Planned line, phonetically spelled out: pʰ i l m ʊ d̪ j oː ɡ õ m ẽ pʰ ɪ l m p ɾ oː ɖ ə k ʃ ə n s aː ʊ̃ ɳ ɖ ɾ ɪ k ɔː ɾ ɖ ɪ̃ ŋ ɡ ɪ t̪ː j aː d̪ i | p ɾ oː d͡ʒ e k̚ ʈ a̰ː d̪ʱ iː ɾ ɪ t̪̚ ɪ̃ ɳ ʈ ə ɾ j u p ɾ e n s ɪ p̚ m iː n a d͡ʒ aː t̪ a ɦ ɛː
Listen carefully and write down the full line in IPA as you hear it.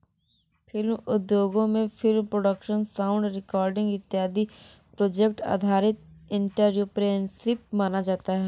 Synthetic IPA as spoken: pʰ ɪ l m ʊ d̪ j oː ɡ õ m ẽ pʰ ɪ l m p ɾ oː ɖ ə k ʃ ə n s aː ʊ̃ ɳ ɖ ɾ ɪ k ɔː ɾ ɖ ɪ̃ ŋ ɡ ɪ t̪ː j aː d̪ i | p ɾ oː d͡ʒ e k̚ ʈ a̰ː d̪ʱ aː ɾ ɪ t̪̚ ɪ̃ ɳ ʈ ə ɾ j u p ɾ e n s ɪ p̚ m aː n a d͡ʒ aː t̪ a ɦ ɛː